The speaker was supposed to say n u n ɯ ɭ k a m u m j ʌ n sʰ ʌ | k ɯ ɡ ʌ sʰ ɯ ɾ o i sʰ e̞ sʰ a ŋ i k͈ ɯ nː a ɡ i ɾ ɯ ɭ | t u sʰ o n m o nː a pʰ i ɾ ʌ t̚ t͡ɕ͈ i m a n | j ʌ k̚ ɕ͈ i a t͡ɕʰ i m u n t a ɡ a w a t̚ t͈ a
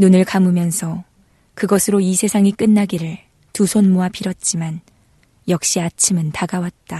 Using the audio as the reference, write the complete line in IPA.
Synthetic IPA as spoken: n u n ɯ ɭ k a m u m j ʌ n sʰ ʌ | k ɯ ɡ ʌ sʰ ɯ ɾ o i sʰ e̞ sʰ a ŋ i k͈ ɯ nː a ɡ i ɾ ɯ ɭ | t u sʰ o n m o a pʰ i ɾ ʌ t̚ t͡ɕ͈ i m a n | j ʌ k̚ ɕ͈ i a t͡ɕʰ i m ɯ n t a ɡ a w a t̚ t͈ a